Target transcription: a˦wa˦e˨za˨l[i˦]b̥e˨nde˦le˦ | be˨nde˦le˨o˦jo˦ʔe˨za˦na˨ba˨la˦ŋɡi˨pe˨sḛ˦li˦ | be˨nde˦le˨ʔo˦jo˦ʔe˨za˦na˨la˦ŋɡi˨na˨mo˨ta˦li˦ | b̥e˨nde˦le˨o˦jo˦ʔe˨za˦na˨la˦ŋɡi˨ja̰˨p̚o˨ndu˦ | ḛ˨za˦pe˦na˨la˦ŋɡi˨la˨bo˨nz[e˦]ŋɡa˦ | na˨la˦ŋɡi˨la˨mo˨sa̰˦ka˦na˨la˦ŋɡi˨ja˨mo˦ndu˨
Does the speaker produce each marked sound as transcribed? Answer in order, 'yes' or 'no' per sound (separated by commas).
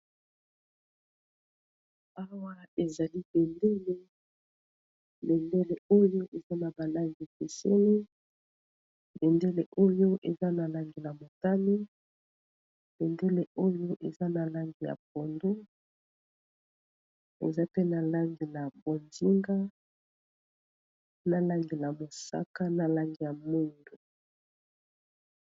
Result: yes, no